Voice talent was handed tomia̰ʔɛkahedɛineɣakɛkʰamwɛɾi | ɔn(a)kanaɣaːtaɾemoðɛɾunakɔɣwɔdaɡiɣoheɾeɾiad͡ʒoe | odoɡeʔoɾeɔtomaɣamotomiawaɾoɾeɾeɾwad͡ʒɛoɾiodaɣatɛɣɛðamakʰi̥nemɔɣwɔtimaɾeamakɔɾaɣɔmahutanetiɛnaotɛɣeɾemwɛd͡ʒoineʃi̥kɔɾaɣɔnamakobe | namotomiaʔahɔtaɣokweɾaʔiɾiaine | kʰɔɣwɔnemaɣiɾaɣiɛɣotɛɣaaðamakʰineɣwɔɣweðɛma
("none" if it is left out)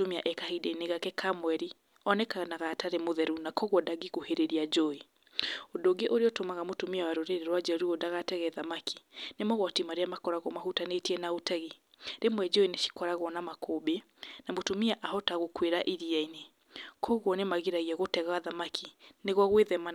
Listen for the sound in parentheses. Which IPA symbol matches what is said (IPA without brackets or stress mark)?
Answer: ɛ